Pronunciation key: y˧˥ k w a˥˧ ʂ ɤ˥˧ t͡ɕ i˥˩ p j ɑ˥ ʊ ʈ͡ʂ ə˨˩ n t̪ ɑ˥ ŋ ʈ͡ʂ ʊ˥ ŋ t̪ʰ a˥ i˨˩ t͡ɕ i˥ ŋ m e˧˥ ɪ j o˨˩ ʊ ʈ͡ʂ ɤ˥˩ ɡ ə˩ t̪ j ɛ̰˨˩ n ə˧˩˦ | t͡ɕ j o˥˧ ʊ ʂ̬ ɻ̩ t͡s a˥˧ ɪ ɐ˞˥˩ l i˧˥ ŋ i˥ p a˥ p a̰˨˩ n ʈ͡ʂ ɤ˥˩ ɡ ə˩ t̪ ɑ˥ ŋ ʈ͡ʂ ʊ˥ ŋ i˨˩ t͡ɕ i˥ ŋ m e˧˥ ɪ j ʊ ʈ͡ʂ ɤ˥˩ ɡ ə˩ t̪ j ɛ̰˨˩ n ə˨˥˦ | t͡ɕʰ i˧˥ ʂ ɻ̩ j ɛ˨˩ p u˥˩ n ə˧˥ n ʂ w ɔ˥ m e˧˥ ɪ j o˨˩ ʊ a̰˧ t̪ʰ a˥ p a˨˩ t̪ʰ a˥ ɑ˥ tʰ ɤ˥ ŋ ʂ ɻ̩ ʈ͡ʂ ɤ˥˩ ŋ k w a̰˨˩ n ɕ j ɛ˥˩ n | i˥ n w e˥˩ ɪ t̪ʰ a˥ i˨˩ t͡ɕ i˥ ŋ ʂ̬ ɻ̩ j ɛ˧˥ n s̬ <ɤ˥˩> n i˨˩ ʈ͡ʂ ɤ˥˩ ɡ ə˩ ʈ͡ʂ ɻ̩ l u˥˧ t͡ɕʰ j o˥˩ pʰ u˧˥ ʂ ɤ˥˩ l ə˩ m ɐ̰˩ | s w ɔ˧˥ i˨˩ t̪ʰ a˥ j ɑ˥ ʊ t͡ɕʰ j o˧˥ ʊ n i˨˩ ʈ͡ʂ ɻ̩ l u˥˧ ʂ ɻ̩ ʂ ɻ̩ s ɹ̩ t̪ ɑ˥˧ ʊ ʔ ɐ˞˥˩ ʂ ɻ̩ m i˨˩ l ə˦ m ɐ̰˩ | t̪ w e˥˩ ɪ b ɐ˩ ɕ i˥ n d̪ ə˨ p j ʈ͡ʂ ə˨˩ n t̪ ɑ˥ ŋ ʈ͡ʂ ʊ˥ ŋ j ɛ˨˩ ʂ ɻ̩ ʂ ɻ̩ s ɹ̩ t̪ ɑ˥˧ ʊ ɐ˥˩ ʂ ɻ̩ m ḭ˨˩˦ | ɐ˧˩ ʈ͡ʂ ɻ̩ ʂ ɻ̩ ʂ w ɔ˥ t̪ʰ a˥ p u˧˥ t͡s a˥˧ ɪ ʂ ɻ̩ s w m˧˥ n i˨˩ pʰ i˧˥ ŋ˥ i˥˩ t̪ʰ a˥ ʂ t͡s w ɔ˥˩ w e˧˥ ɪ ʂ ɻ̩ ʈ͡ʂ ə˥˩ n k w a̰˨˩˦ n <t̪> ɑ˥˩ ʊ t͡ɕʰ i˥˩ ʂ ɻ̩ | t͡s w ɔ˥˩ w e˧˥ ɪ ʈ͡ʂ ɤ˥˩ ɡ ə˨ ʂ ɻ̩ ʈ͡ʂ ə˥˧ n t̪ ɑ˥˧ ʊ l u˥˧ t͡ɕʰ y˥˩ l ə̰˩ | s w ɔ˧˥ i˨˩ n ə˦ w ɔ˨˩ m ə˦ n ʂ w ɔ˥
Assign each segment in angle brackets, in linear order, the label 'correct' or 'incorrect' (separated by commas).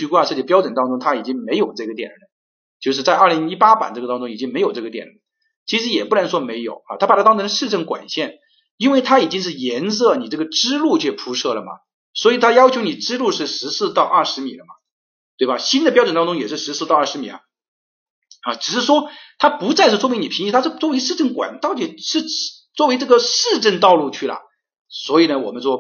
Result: correct, correct